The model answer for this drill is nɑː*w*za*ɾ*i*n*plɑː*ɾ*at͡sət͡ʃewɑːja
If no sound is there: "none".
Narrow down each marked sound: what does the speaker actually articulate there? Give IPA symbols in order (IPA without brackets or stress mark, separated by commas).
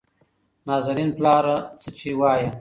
none, ɾ, n, ɾ